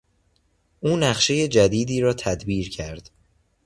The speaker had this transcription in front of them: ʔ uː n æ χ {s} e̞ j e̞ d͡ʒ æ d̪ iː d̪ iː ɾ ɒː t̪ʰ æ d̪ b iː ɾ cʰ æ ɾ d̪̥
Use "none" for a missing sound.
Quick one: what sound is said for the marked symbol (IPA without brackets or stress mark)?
ʃ